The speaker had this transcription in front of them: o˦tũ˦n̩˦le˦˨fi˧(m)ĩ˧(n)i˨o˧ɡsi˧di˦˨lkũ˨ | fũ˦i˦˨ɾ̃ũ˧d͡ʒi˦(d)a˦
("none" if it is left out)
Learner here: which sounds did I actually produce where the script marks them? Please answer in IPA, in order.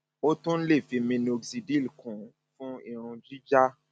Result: m, n, d͡ʒ

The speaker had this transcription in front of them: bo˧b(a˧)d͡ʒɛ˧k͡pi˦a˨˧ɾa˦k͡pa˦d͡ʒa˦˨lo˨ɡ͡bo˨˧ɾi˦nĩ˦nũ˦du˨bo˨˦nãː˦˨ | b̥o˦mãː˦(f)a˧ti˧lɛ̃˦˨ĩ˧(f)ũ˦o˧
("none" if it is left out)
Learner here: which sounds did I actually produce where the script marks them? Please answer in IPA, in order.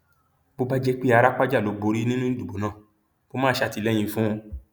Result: a˧, ʃ, f

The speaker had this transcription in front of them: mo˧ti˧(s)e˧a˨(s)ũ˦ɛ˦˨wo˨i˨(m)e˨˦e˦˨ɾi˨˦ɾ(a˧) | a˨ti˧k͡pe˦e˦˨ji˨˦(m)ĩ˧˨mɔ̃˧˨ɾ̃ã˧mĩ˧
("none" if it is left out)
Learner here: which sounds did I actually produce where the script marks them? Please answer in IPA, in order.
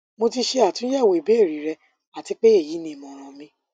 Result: ʃ, t, b, ɛ˧, n

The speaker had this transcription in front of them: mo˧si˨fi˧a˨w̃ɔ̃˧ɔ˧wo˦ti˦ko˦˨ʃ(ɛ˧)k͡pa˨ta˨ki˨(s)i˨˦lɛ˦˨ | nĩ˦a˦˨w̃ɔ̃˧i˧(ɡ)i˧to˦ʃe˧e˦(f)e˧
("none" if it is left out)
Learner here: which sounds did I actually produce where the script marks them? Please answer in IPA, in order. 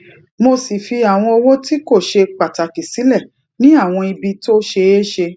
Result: e˧, s, b, ʃ

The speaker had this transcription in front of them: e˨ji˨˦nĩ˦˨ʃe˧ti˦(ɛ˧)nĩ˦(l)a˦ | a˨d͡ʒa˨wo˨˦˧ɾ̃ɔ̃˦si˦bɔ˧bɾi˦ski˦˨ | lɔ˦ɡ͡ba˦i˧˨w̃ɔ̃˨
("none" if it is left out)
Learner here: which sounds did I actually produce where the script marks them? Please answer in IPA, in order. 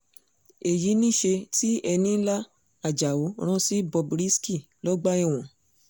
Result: ɛ˧, l

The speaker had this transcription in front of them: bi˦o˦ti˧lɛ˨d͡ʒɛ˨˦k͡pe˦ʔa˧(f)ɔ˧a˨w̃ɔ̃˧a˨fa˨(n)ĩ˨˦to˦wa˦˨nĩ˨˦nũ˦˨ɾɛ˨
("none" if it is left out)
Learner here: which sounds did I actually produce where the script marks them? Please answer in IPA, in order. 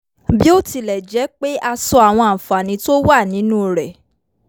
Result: s, n

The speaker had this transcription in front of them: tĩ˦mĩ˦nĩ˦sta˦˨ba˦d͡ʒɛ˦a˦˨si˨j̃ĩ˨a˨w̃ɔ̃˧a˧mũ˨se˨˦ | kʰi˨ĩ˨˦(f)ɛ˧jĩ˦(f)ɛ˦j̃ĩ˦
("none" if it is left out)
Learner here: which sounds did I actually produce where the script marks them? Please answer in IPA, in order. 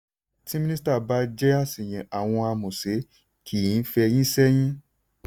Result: f, s

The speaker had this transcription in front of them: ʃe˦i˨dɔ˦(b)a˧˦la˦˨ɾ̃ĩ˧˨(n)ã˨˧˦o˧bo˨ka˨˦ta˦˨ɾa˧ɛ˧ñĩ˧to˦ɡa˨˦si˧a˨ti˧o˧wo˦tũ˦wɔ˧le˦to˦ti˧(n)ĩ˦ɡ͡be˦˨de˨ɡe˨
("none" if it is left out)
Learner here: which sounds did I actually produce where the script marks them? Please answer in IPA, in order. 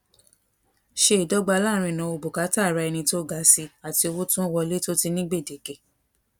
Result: ɡ͡b, n, n

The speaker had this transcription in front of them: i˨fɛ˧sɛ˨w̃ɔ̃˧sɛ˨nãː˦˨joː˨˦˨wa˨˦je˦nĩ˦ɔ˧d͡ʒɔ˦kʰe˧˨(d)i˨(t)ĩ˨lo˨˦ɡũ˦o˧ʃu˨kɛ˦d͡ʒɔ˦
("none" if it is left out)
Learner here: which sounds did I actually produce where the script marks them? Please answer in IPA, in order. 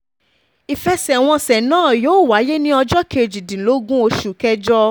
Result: d͡ʒ, d

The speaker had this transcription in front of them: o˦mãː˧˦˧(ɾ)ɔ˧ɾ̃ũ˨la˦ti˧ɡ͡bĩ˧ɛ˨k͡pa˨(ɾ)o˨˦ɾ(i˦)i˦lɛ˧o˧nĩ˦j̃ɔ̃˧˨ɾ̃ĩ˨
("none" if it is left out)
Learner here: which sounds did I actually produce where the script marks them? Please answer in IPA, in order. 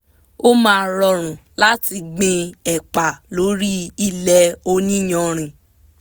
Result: ɾ, l, i˦

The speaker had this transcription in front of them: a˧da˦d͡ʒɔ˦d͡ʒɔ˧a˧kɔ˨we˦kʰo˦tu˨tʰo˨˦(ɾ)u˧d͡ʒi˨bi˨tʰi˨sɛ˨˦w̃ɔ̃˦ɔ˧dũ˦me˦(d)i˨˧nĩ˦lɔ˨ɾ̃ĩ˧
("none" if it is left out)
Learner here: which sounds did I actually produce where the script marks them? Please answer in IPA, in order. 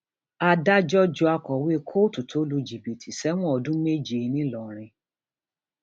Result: l, d͡ʒ

